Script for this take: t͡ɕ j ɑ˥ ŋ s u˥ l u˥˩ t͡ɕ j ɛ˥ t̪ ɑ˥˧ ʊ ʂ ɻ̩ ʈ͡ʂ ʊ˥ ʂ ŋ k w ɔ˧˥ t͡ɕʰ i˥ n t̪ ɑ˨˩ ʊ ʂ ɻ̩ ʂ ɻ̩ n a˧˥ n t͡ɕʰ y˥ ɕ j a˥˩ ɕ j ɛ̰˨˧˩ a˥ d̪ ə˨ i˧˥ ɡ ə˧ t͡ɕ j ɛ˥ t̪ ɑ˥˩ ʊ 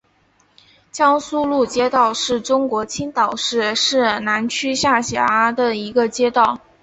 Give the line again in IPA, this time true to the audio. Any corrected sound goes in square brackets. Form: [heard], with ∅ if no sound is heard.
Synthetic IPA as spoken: t͡ɕ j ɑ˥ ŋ s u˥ l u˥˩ t͡ɕ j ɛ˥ t̪ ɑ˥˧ ʊ ʂ ɻ̩ ʈ͡ʂ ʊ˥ [∅] ŋ k w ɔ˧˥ t͡ɕʰ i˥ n t̪ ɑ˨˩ ʊ ʂ ɻ̩ ʂ ɻ̩ n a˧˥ n t͡ɕʰ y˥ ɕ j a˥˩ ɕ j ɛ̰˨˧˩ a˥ d̪ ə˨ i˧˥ ɡ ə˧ t͡ɕ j ɛ˥ t̪ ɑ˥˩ ʊ